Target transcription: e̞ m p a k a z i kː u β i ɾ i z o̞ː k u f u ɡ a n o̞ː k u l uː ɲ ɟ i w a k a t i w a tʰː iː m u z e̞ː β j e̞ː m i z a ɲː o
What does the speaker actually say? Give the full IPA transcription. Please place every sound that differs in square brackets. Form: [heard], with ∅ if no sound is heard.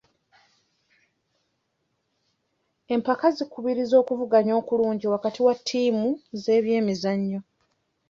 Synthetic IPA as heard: e̞ m p a k a z i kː u β i ɾ i z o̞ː k u [v] u ɡ a [ɲ] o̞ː k u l uː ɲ ɟ i w a k a t i w a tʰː iː m u z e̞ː β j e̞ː m i z a ɲː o

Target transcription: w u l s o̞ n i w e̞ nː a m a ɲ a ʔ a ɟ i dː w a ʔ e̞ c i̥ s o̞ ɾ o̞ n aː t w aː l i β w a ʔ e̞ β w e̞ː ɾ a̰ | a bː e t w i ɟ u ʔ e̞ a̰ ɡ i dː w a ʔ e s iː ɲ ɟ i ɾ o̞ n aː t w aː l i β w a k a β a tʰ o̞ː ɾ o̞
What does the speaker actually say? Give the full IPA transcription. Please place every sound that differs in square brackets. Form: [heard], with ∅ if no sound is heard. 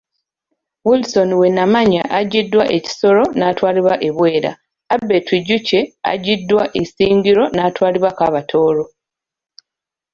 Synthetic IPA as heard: w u l s o̞ n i w e̞ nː a m a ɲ a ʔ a ɟ i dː w a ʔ e̞ c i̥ s o̞ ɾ o̞ n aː t w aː l i β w a ʔ e̞ β w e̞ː ɾ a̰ | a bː e t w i ɟ u [c] e̞ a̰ [ɟ] i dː w a ʔ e s iː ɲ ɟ i ɾ o̞ n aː t w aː l i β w a k a β a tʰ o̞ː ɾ o̞

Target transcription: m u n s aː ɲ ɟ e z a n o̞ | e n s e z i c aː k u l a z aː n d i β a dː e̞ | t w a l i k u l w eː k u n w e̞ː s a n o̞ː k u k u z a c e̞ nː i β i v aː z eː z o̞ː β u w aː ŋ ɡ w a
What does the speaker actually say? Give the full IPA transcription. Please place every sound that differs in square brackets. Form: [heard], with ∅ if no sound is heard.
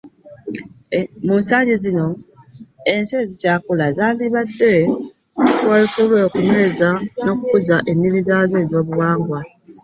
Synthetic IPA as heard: m u n s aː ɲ ɟ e z [i] n o̞ | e n s e z i c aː k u l a z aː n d i β a dː e̞ | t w a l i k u l w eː k u n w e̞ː [z] a n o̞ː k u k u z a [ʔ] e̞ nː i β i [z] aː z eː z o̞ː β u w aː ŋ ɡ w a

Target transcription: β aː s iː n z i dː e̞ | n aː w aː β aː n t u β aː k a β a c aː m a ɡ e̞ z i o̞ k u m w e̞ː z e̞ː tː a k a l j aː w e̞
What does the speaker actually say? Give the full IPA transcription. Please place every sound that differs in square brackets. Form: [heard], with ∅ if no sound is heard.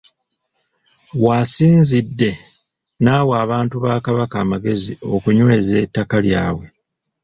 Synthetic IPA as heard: [w] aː s iː n z i dː e̞ | n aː w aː β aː n t u β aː k a β a [k] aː m a ɡ e̞ z i o̞ k u [ɲ] w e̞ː z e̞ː tː a k a l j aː w e̞

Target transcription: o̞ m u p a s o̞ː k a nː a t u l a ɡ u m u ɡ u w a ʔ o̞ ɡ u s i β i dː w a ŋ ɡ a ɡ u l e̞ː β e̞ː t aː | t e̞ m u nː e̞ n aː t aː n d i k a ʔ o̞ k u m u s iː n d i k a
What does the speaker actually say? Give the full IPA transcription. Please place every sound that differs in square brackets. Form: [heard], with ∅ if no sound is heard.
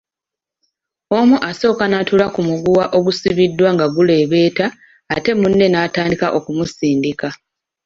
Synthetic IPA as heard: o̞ m u [ʔ] a s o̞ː k a [n] a t u l a [k] u m u ɡ u w a ʔ o̞ ɡ u s i β i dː w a ŋ ɡ a ɡ u l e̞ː β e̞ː t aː | t e̞ m u nː e̞ n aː t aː n d i k a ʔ o̞ k u m u s iː n d i k a

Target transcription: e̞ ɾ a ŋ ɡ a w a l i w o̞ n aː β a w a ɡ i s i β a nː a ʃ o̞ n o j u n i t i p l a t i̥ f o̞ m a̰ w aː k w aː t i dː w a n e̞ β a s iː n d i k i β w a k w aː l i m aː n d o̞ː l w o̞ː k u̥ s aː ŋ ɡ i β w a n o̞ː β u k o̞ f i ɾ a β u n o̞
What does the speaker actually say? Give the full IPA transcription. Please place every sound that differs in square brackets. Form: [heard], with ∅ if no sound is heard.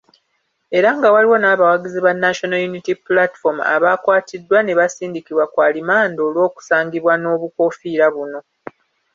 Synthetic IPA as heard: e̞ ɾ a ŋ ɡ a w a l i w o̞ n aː β a w a ɡ i [z] i β a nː a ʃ o̞ n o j u n i t i p l a t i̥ f o̞ m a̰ [β] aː k w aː t i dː w a n e̞ β a s iː n d i k i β w a k w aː l i m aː n d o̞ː l w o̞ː k u̥ s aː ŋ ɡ i β w a n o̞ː β u k o̞ f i ɾ a β u n o̞

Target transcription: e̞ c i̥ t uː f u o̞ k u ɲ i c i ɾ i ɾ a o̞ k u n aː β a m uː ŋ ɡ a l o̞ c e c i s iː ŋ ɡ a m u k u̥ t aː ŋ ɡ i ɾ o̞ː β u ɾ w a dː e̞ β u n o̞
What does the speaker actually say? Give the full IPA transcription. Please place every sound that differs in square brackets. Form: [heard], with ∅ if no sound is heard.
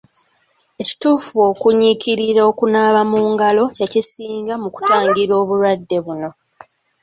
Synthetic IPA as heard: e̞ c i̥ t uː f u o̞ k u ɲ i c i ɾ i ɾ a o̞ k u n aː β a m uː ŋ ɡ a l o̞ c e c i s iː ŋ ɡ a m u k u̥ t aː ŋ ɡ i ɾ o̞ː β u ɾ w a dː e̞ β u n o̞

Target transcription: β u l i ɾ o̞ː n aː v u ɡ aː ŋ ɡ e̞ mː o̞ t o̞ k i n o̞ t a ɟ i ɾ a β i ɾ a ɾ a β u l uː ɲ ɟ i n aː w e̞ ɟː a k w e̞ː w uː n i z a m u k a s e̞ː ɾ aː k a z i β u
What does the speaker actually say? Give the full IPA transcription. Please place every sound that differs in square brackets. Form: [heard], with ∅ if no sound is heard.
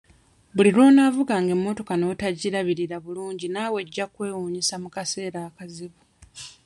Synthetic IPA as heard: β u l i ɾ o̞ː n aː v u ɡ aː ŋ ɡ e̞ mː o̞ t o̞ k [a] n o̞ t a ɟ i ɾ a β i ɾ [i] ɾ a β u l uː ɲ ɟ i n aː w e̞ ɟː a k w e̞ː w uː [ɲ] i [s] a m u k a s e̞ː ɾ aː k a z i β u

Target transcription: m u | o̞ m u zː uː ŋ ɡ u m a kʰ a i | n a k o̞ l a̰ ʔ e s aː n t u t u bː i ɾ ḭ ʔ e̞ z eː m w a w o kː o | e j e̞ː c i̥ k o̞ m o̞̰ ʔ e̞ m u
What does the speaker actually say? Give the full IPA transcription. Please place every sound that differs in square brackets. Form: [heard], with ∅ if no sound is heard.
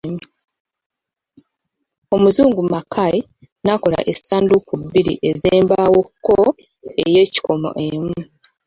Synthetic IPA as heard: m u | o̞ m u [z] uː ŋ ɡ u m a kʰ a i | n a k o̞ l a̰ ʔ e s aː n [d] u [k] u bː i ɾ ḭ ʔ e̞ z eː m [b] a w o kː o | e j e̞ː c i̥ k o̞ m o̞̰ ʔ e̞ m u

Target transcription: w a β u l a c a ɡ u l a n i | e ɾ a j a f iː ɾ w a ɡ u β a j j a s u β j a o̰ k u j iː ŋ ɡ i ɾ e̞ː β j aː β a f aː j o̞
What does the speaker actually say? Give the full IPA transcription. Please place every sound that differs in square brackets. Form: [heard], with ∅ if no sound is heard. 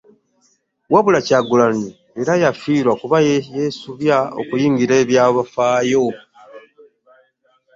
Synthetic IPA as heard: w a β u l a c a ɡ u l a n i | e ɾ a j a f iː ɾ w a [k] u β a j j [e] s u β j a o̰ k u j iː ŋ ɡ i ɾ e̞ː β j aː β a f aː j o̞

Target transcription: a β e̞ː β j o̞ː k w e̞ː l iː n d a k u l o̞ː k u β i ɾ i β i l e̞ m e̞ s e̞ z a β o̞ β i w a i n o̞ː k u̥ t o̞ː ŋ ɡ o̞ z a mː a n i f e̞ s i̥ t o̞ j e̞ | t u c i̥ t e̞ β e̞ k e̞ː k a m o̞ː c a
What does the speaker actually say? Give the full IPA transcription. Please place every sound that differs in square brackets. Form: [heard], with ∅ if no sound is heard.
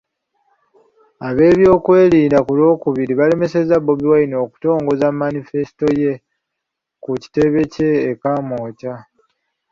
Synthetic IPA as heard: a β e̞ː β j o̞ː k w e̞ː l iː n d a k u l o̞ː k u β i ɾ i β [a] l e̞ m e̞ s e̞ z a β o̞ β i w a i n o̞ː k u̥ t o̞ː ŋ ɡ o̞ z a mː a n i f e̞ s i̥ t o̞ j e̞ | [k] u c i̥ t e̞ β e̞ [c] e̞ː k a m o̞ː c a

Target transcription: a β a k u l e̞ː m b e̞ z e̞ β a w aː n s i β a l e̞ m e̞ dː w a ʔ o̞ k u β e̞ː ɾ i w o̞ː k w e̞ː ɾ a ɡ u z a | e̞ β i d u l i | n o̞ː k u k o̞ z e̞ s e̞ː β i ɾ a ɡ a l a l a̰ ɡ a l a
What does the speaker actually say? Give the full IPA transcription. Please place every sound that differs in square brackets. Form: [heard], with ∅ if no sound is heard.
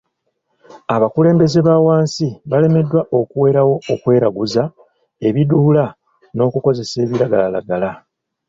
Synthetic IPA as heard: a β a k u l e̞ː m b e̞ z e̞ β a w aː n s i β a l e̞ m e̞ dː w a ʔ o̞ k u [w] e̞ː ɾ [a] w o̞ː k w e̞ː ɾ a ɡ u z a | e̞ β i d u l [a] | n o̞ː k u k o̞ z e̞ s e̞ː β i ɾ a ɡ a l a l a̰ ɡ a l a

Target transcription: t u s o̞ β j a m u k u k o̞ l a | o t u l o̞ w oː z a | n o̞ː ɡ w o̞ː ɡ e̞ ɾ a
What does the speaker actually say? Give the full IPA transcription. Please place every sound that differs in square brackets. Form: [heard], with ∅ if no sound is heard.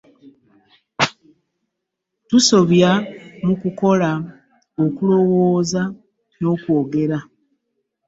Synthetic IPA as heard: t u s o̞ β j a m u k u k o̞ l a | o [k] u l o̞ w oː z a | n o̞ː [k] w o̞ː ɡ e̞ ɾ a

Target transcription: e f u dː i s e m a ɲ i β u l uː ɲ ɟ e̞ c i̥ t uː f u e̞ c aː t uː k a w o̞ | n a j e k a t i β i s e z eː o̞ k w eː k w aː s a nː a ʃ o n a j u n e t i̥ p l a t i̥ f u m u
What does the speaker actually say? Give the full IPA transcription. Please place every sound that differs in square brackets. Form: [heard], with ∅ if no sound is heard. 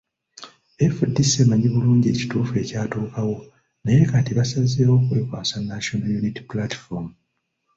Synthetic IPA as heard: e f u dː i s e m a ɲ i β u l uː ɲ ɟ e̞ c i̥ t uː f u e̞ c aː t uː k a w o̞ | n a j e k a t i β [a] s [a] z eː o̞ k w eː k w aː s a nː a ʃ o n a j u n [i] t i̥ p l a t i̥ f [o] m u

